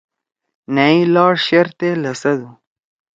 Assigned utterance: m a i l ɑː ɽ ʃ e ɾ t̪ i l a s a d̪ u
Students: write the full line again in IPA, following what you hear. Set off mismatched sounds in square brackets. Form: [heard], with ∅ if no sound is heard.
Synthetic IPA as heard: [n] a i l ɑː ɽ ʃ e ɾ t̪ [e] l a s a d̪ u